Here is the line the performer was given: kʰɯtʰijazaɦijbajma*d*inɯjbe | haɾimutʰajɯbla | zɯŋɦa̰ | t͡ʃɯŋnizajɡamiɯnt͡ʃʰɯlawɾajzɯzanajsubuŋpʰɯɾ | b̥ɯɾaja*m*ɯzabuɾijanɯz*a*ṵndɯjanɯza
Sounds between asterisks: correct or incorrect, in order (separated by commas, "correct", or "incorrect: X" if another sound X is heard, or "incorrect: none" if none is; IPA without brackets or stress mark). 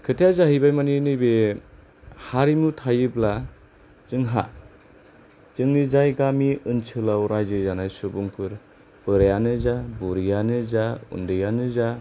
incorrect: n, incorrect: n, correct